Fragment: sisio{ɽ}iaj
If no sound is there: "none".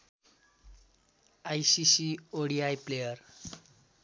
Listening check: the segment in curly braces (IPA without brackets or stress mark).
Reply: ɽ